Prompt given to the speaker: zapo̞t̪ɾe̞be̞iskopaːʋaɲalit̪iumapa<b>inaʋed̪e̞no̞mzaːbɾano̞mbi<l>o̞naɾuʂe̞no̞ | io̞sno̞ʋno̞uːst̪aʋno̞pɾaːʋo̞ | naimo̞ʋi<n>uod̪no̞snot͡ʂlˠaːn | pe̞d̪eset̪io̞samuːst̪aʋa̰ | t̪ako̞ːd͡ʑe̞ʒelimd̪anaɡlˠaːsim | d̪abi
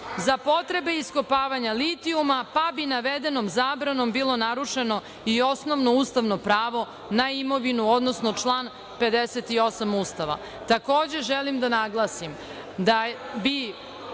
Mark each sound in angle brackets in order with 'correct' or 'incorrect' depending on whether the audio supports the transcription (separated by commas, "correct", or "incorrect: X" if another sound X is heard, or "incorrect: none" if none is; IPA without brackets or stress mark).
correct, correct, correct